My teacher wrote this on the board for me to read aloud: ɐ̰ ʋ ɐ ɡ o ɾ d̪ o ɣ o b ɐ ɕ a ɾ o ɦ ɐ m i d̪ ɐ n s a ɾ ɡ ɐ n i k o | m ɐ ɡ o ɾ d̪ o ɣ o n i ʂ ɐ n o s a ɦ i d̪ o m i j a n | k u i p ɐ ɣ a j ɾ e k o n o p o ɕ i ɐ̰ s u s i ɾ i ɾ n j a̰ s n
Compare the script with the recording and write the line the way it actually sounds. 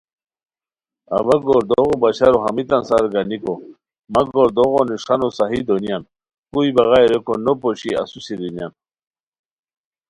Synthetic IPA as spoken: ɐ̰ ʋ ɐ ɡ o ɾ d̪ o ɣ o b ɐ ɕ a ɾ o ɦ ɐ m i t̪ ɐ n s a ɾ ɡ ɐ n i k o | m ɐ ɡ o ɾ d̪ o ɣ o n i ʂ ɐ n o s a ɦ i d̪ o n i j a n | k u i b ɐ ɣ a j ɾ e k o n o p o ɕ i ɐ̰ s u s i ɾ i n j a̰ n

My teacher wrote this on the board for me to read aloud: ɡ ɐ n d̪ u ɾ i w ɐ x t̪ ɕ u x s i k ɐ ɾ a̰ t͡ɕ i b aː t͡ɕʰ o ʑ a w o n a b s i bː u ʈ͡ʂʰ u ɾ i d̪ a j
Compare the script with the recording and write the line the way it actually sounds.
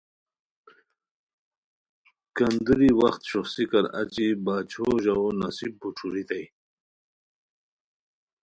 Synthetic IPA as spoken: k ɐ n d̪ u ɾ i w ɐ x t̪ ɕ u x s i k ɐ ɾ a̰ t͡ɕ i b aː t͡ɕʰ o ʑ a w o n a s i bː u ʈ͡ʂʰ u ɾ i t̪ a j

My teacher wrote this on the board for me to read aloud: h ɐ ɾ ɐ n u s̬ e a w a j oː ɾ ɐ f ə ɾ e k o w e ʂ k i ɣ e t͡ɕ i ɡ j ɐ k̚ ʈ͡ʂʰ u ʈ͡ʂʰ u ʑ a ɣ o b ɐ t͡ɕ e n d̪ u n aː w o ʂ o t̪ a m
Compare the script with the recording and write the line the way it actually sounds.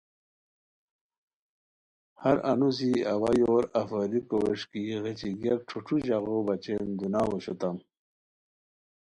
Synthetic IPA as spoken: h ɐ ɾ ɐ n u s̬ i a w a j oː ɾ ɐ f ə ɾ i k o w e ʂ k i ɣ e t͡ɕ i ɡ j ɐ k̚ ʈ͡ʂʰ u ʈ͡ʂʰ u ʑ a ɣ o b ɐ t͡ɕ e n d̪ u n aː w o ɕ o t̪ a m

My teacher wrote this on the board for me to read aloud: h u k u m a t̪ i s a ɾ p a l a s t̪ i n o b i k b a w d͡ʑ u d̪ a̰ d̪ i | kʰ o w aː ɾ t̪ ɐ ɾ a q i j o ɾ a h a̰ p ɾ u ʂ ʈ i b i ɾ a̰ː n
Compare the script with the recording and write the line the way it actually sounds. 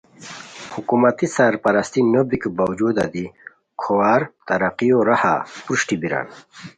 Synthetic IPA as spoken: h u k u m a t̪ i s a ɾ p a ɾ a s t̪ i n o b i k b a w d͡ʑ u d̪ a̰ d̪ i | kʰ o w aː ɾ t̪ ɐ ɾ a q i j o ɾ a h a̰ p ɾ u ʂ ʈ i b i ɾ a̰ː n

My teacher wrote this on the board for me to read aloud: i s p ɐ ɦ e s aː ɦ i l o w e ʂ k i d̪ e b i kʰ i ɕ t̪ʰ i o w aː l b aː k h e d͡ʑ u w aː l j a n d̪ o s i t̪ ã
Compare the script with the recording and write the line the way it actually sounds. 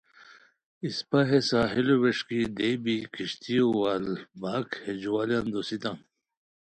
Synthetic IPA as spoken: i s p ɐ ɦ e s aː ɦ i l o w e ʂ k i d̪ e b i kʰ i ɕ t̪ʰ i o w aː l b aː k h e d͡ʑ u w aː l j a n d̪ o s i t̪ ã

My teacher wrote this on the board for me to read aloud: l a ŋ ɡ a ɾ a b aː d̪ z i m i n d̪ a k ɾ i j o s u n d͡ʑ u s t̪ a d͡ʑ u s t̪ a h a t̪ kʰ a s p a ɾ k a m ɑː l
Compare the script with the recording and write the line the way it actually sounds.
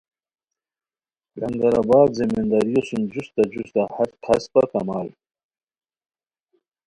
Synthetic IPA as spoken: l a ŋ ɡ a ɾ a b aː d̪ z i m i n d̪ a ɾ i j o s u n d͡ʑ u s t̪ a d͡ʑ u s t̪ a h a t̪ kʰ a s p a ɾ k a m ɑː l

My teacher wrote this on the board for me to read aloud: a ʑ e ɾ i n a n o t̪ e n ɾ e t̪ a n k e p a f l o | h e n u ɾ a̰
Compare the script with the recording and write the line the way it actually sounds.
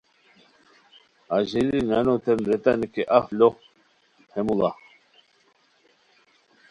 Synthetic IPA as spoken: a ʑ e l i n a n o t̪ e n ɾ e t̪ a n k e ʔ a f l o | h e m u l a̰

